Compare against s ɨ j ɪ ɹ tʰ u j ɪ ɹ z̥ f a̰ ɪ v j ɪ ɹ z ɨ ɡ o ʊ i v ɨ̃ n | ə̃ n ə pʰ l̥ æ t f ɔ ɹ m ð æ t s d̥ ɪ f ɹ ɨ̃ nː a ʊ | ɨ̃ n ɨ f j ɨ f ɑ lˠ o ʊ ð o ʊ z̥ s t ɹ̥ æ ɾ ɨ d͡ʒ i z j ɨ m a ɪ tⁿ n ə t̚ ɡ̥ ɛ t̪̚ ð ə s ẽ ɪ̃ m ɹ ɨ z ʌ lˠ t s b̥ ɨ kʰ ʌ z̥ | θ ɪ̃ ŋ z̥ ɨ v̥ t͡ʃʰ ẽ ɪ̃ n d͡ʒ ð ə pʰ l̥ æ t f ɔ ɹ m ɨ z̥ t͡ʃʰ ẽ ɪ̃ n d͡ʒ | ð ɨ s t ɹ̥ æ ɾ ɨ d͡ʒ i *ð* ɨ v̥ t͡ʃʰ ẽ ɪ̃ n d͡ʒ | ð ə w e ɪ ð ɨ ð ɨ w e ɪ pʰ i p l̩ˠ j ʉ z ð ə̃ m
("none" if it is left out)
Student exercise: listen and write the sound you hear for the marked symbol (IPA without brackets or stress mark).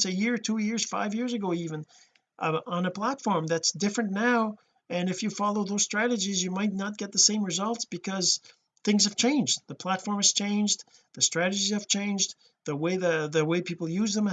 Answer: z